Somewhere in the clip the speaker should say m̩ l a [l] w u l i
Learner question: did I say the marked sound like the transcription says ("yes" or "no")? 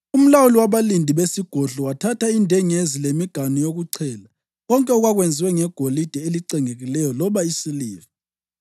no